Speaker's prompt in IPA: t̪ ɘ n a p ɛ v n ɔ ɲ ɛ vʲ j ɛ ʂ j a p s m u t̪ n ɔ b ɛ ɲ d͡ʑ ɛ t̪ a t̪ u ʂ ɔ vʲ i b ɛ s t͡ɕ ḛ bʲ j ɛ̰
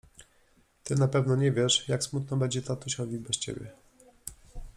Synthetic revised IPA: t̪ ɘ n a p ɛ v n ɔ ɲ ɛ vʲ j ɛ ʂ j a k s m u t̪ n ɔ b ɛ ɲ d͡ʑ ɛ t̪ a t̪ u ɕ ɔ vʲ i b ɛ s t͡ɕ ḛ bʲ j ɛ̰